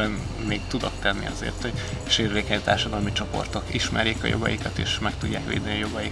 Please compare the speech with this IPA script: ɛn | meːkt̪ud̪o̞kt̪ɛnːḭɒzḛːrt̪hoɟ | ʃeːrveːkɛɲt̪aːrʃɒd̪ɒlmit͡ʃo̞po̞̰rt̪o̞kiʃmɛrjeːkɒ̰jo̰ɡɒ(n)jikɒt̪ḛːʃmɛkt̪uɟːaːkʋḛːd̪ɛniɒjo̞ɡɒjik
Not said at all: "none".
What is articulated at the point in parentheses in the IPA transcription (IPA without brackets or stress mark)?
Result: none